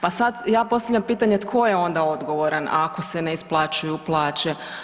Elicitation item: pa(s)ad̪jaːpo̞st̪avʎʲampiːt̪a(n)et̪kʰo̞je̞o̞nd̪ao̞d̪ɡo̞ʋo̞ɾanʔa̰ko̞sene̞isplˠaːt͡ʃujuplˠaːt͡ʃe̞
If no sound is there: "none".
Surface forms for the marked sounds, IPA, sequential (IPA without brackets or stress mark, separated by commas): s, ɲ